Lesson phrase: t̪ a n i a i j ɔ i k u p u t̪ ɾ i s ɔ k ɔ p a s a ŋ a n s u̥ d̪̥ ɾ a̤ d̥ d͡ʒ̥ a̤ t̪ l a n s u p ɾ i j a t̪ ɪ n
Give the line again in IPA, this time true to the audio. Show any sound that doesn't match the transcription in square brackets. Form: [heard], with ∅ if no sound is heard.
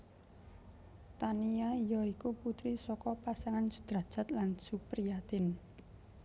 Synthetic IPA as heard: t̪ a n i a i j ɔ i k u p u t̪ ɾ i s ɔ k ɔ p a s a ŋ a n s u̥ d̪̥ ɾ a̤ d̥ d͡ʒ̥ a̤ t̪ l a n s u p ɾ i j a t̪ ɪ n